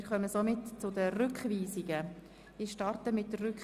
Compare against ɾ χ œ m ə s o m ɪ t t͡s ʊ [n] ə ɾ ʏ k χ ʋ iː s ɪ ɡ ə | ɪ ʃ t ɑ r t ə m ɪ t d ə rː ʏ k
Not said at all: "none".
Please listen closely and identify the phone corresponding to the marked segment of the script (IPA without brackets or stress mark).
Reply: d